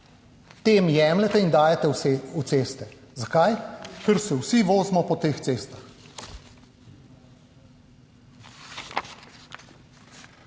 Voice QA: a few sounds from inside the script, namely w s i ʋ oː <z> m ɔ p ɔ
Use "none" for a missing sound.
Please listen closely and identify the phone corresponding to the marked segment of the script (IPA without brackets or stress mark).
z